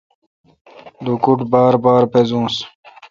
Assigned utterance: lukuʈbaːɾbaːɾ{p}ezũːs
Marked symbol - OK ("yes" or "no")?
yes